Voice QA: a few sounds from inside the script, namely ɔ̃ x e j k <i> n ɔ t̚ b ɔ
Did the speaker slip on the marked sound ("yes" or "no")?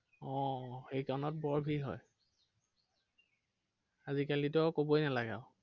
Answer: yes